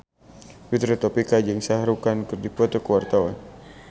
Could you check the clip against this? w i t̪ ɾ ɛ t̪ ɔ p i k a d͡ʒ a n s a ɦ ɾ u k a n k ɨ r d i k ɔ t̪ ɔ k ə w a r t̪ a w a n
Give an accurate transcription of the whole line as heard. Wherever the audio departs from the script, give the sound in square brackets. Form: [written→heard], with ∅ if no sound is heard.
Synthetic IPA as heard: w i t̪ ɾ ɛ t̪ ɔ p i k a d͡ʒ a [n→ŋ] s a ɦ ɾ u k a n k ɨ r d i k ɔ t̪ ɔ k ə w a r t̪ a w a n